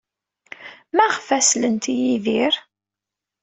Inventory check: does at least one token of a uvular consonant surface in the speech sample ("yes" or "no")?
yes